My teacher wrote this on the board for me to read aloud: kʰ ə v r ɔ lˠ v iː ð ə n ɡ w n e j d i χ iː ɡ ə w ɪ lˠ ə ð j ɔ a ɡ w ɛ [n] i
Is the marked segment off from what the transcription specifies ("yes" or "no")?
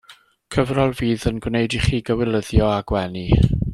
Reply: no